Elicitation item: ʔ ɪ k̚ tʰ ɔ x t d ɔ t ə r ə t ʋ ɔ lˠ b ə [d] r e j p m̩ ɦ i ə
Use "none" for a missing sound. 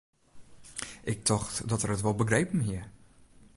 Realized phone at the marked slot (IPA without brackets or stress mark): ɡ